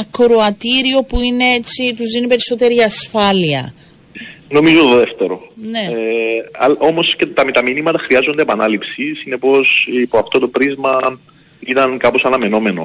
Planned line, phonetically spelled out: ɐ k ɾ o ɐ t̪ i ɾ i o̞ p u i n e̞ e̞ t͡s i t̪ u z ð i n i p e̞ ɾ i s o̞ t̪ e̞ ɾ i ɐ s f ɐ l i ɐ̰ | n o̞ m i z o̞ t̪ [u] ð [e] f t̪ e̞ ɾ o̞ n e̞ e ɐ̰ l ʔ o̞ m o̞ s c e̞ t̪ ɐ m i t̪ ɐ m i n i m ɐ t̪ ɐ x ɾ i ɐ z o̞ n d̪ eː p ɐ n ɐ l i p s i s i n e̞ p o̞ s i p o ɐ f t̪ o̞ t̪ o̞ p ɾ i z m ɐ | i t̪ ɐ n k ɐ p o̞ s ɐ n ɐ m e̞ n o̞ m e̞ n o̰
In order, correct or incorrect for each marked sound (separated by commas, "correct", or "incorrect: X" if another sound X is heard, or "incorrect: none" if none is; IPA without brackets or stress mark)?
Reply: incorrect: o, correct